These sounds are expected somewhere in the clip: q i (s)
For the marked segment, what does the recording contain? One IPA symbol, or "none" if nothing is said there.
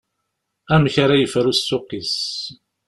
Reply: s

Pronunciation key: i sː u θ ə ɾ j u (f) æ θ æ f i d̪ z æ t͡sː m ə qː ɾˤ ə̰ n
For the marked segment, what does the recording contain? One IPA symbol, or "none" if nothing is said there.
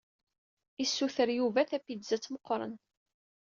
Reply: v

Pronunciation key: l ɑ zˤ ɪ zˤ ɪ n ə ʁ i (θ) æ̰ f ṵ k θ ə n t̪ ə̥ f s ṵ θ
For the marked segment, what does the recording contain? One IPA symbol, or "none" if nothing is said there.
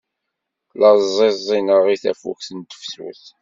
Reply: θ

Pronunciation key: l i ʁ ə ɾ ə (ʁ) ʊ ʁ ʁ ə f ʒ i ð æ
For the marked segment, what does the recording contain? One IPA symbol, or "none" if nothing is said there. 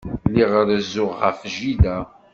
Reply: z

